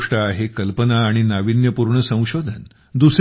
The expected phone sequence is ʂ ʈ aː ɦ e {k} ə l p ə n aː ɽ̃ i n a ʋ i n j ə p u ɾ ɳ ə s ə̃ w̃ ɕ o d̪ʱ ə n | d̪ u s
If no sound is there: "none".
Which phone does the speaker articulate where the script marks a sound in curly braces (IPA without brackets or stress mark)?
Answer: k